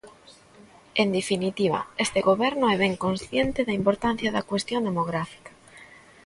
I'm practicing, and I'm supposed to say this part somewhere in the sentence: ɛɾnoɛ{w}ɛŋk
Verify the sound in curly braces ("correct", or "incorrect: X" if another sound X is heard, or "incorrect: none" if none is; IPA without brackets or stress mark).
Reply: incorrect: β